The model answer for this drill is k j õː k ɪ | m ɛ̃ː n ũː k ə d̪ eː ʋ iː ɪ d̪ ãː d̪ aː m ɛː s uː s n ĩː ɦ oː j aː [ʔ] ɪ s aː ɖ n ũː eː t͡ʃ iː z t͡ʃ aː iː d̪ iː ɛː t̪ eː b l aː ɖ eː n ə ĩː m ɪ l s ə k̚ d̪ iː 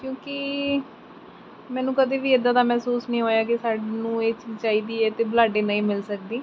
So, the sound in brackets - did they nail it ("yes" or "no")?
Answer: no